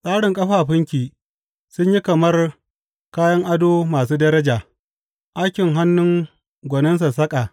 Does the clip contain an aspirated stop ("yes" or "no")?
no